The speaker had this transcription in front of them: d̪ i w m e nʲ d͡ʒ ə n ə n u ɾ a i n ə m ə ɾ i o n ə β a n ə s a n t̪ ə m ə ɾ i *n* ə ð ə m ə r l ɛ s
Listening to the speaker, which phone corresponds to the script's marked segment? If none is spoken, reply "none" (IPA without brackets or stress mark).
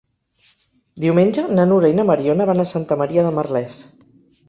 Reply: none